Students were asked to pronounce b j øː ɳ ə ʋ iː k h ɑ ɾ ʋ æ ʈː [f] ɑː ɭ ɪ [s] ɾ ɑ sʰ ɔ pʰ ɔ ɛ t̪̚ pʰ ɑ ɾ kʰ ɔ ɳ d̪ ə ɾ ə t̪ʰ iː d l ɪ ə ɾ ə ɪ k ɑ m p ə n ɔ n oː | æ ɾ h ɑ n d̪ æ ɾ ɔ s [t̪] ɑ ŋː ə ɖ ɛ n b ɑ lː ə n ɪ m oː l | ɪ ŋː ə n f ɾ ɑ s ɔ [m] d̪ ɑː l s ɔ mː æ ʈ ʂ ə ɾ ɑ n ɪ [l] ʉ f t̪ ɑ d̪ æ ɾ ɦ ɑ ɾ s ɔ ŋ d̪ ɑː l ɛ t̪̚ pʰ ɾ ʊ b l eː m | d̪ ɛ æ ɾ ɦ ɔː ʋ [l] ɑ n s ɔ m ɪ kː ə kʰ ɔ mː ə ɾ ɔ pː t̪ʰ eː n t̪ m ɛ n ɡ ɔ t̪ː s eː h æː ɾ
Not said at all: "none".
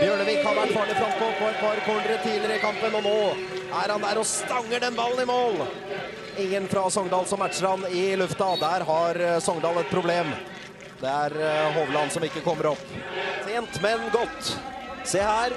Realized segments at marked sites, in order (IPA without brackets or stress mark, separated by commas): f, f, t̪, ŋ, l, l